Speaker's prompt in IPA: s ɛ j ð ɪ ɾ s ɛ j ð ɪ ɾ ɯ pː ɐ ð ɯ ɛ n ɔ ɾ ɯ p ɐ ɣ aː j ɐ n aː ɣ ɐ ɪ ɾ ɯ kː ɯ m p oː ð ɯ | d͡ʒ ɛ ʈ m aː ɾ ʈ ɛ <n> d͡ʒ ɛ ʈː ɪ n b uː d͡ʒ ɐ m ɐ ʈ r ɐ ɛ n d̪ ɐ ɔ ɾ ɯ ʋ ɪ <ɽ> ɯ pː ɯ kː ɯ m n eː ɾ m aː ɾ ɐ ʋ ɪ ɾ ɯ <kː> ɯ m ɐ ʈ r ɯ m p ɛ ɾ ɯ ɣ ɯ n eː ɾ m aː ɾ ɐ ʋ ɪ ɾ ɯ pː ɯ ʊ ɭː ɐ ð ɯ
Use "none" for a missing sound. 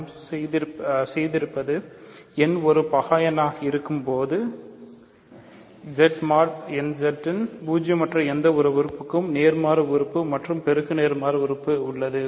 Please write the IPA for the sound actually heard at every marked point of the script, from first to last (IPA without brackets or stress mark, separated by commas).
n, ɾ, pː